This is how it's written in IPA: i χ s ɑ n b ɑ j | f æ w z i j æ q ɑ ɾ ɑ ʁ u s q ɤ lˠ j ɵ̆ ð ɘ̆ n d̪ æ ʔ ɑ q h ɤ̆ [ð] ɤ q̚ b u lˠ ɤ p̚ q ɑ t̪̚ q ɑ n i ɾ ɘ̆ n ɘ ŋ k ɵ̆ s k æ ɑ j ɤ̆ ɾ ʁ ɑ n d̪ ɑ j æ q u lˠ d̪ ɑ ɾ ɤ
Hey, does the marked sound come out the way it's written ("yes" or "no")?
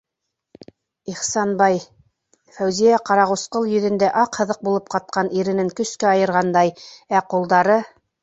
yes